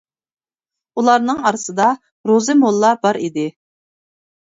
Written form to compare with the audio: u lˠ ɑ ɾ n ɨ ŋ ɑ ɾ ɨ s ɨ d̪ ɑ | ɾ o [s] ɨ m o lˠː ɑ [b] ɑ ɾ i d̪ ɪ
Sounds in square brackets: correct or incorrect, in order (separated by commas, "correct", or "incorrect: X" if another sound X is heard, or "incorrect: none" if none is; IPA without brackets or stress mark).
incorrect: z, correct